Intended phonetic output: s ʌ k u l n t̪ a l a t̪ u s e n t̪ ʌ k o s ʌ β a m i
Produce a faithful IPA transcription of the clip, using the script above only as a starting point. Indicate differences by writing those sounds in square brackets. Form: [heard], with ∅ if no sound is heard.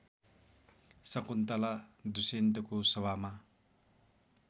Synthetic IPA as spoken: s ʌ k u [∅] n t̪ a l a [d̪] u s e n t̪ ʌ k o s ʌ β a m [a]

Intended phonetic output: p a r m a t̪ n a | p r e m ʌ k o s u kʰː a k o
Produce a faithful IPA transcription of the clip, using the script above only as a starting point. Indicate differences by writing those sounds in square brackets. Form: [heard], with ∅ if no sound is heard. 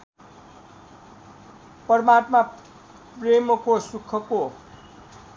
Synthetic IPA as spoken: p [ʌ] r m a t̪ [m] a | p r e m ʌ k o s u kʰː [ʌ] k o

